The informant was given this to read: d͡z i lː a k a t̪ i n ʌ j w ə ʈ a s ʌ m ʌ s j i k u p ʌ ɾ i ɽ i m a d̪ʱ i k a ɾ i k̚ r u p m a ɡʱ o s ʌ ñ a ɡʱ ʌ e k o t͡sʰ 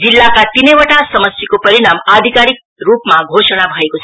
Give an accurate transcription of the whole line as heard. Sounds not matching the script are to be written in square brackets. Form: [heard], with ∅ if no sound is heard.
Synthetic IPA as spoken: d͡z i lː a k a t̪ i n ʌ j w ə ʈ a s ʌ m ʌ s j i k [o] p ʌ ɾ i ɽ [a] m a d̪ʱ i k a ɾ i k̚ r u p m a ɡʱ o s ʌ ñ a [bʱ] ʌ e k o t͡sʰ